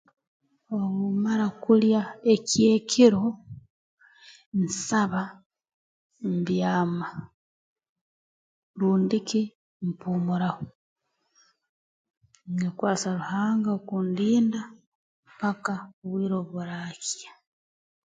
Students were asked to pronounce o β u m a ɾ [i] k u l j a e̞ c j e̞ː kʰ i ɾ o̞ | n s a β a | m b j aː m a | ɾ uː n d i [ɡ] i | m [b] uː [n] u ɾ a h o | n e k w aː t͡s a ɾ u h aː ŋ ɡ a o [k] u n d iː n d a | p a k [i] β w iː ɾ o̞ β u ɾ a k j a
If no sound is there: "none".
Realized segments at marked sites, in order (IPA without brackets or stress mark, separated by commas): a, k, p, m, k, a